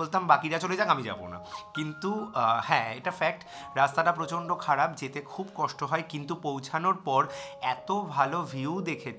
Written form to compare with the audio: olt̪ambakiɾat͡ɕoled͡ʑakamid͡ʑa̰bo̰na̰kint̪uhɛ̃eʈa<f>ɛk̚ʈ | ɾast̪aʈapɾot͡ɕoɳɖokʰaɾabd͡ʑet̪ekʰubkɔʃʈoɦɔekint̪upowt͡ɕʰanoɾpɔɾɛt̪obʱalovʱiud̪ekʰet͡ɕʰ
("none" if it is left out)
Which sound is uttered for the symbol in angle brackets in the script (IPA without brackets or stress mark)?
f